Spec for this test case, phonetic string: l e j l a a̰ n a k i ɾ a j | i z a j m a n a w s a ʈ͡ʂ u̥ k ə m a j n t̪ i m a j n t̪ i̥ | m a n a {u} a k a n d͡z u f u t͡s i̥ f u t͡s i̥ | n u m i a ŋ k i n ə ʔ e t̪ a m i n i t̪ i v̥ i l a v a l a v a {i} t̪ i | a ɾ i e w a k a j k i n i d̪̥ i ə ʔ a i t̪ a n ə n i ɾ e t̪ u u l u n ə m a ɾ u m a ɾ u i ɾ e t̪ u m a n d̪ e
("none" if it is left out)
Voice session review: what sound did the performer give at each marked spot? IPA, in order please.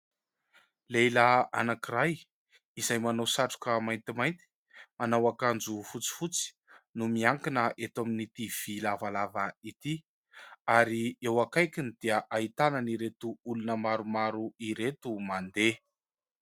w, i

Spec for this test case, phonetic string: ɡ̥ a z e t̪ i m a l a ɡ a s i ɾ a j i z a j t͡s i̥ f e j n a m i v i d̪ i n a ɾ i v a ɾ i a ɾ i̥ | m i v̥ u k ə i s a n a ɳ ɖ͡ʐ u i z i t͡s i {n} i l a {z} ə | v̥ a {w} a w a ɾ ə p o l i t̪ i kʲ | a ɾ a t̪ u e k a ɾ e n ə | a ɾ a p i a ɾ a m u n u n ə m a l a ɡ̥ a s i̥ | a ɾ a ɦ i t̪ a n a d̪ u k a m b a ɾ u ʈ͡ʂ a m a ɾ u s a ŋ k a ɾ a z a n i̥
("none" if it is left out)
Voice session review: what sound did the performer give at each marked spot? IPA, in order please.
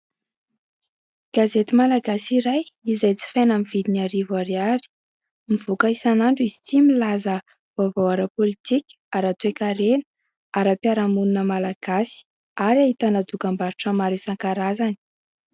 m, z, v

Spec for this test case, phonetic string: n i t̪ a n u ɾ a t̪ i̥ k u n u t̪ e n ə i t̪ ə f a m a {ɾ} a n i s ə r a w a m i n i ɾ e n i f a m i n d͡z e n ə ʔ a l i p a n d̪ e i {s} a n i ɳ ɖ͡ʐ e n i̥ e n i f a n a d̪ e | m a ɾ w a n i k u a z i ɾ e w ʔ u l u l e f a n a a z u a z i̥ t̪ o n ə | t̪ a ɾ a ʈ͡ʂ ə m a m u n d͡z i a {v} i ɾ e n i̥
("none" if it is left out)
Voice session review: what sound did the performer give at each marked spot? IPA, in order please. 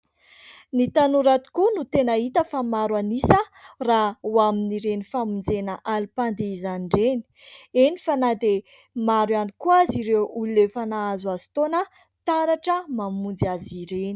ɾ, z, z

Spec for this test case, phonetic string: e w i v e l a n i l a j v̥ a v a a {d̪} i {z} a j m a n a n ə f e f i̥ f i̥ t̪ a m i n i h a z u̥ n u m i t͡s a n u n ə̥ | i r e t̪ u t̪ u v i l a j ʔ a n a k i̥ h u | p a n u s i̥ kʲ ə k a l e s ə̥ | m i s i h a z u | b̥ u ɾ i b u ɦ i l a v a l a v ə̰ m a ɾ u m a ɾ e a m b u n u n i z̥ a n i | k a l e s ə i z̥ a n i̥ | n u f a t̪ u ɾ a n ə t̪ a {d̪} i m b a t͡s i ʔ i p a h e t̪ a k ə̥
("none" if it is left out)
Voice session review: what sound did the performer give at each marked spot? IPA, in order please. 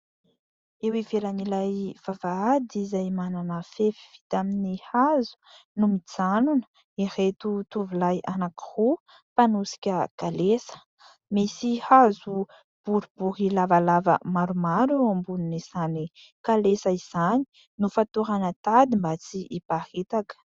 d̪, z, d̪

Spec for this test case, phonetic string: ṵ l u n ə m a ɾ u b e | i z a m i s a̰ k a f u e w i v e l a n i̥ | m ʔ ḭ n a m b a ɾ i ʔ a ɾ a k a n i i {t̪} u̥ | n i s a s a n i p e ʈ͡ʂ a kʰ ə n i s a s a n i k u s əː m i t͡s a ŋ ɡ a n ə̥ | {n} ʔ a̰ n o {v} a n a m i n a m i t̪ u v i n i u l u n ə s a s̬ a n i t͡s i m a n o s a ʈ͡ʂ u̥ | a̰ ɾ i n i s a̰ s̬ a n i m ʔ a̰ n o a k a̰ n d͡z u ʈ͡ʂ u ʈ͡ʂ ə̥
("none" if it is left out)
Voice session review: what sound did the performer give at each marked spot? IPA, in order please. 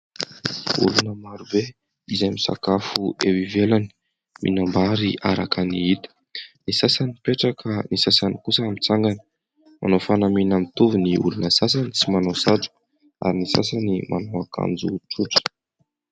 t̪, m, f

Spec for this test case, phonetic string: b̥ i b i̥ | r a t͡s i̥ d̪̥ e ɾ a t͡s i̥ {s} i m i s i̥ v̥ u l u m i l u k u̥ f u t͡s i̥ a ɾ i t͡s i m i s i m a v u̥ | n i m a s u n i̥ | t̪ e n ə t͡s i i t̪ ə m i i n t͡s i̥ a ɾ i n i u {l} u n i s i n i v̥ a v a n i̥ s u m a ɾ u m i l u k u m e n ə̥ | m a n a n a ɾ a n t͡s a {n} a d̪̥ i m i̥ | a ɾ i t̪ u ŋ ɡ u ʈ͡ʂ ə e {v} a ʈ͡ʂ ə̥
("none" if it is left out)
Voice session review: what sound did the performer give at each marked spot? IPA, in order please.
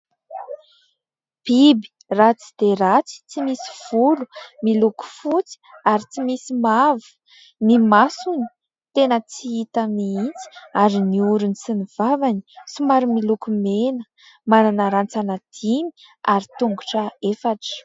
t͡s, ɾ, n, f

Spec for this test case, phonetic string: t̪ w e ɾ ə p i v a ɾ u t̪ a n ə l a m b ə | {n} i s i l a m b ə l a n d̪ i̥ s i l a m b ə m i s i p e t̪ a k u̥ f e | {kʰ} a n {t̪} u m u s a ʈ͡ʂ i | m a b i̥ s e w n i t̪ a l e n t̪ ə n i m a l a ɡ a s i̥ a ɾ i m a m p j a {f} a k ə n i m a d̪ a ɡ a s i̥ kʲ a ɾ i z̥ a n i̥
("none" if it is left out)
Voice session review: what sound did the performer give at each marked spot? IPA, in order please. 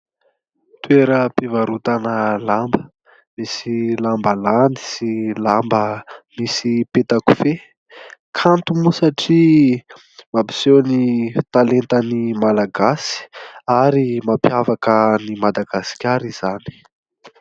m, kʰ, t̪, v

